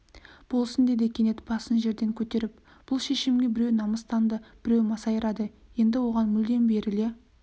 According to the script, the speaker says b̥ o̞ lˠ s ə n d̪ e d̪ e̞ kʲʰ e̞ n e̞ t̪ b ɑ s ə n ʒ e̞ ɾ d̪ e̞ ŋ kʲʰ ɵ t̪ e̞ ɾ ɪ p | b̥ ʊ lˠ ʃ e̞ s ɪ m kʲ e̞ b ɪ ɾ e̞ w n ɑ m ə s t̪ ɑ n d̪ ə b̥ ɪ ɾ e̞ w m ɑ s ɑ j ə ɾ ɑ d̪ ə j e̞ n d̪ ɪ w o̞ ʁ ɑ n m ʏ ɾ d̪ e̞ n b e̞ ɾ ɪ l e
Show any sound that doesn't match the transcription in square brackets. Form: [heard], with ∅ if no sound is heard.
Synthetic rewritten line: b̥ o̞ lˠ s ə n d̪ e d̪ e̞ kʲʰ e̞ n e̞ t̪ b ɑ s ə n ʒ e̞ ɾ d̪ e̞ ŋ kʲʰ ɵ t̪ e̞ ɾ ɪ p | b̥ ʊ lˠ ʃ e̞ [ʃ] ɪ m [ɡʲ] e̞ b ɪ ɾ e̞ w n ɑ m ə s t̪ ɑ n d̪ ə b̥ ɪ ɾ e̞ w m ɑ s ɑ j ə ɾ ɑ d̪ ə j e̞ n d̪ ɪ w o̞ ʁ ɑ n m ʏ [l] d̪ e̞ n b e̞ ɾ ɪ l e